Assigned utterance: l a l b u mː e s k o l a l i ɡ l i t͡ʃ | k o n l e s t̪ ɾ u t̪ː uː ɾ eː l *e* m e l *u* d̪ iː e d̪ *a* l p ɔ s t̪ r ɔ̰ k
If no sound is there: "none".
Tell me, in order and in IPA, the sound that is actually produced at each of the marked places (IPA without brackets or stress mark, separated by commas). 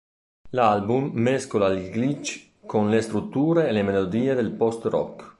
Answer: e, o, e